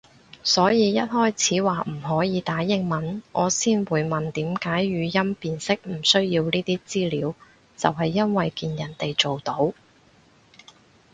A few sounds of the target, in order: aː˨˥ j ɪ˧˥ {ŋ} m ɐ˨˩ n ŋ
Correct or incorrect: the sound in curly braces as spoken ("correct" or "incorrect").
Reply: correct